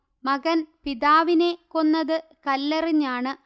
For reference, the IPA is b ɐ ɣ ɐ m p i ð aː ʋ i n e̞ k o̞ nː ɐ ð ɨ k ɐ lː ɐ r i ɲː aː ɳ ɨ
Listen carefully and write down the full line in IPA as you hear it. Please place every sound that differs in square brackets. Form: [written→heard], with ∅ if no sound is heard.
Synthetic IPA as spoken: [b→m] ɐ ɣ ɐ [m→n] p i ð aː ʋ i n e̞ k o̞ nː ɐ ð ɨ k ɐ lː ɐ r i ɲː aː ɳ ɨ